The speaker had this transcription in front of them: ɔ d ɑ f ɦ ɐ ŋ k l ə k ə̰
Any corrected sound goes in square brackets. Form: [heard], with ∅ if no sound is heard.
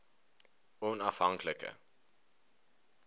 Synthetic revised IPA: ɔ [n] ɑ f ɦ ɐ ŋ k l ə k ə̰